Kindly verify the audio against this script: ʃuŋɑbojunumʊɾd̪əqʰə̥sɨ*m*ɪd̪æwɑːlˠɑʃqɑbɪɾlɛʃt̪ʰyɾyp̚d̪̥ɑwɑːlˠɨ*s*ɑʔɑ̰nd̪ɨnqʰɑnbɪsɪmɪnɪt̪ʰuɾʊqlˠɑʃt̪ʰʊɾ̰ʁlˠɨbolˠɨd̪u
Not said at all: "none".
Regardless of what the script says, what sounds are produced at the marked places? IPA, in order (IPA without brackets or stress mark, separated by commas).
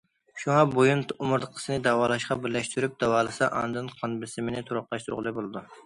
n, s